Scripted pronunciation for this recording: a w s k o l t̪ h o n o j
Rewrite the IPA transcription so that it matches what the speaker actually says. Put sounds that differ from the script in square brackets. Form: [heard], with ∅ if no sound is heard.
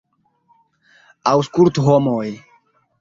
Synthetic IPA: a w s k [u] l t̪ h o [m] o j